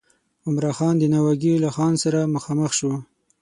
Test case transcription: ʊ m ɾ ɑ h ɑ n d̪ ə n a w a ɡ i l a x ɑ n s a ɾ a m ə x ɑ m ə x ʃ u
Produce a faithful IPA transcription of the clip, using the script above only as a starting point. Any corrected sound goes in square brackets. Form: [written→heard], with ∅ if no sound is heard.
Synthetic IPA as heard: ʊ m ɾ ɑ [h→x] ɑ n d̪ ə n a w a ɡ i l a x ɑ n s a ɾ a m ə x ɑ m ə x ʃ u